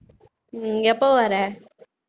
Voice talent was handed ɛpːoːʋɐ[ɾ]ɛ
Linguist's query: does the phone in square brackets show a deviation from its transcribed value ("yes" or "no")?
no